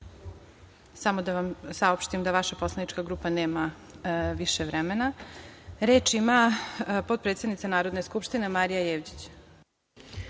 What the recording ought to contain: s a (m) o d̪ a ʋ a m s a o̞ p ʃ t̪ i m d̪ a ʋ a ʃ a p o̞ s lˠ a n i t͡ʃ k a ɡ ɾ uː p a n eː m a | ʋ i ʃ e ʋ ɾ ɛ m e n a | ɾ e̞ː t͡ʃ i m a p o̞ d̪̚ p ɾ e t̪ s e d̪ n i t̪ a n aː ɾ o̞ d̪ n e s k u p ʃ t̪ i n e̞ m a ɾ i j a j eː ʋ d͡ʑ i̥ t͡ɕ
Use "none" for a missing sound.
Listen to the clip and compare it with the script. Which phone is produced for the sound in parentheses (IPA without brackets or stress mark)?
m